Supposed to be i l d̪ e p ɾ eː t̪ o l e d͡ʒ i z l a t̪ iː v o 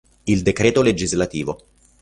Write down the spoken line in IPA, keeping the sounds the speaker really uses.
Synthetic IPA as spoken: i l d̪ e k ɾ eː t̪ o l e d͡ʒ i z l a t̪ iː v o